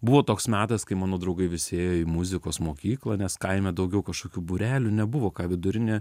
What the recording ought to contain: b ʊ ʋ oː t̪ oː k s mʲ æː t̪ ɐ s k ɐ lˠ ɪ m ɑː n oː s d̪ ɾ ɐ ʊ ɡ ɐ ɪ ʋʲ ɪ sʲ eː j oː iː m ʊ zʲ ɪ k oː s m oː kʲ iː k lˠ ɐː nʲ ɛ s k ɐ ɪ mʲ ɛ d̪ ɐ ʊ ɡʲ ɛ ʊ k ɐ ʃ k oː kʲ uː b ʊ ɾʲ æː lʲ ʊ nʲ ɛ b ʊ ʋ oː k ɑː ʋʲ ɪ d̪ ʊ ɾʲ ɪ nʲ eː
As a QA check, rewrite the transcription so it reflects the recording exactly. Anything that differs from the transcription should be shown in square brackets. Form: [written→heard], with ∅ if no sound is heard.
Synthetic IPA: b ʊ ʋ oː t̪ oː k s mʲ æː t̪ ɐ s k ɐ [lˠ→∅] ɪ m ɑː n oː [s→∅] d̪ ɾ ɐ ʊ ɡ ɐ ɪ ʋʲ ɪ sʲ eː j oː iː m ʊ zʲ ɪ k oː s m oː kʲ iː k lˠ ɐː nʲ ɛ s k ɐ ɪ mʲ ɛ d̪ ɐ ʊ ɡʲ ɛ ʊ k ɐ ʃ k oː kʲ uː b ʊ ɾʲ æː lʲ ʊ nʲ ɛ b ʊ ʋ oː k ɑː ʋʲ ɪ d̪ ʊ ɾʲ ɪ nʲ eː